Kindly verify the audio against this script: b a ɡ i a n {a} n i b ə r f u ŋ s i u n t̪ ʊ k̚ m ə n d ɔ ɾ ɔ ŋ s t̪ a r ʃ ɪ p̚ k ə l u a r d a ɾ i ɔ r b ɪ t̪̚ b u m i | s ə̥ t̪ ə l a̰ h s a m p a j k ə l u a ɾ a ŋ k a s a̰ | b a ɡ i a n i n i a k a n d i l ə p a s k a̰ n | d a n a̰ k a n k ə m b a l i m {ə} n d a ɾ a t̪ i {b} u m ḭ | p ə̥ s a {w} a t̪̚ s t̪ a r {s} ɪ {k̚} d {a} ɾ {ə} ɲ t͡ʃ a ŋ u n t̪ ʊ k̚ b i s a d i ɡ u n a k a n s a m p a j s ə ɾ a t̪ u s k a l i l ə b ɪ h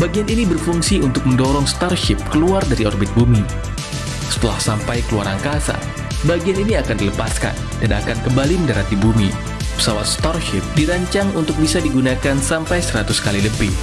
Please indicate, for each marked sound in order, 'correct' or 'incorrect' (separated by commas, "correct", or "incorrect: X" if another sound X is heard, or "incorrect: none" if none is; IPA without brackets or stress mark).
incorrect: i, correct, correct, correct, incorrect: ʃ, incorrect: p̚, incorrect: i, incorrect: a